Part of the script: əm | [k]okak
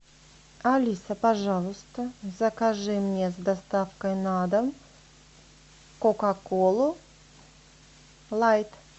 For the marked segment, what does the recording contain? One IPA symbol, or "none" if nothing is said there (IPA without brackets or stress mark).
k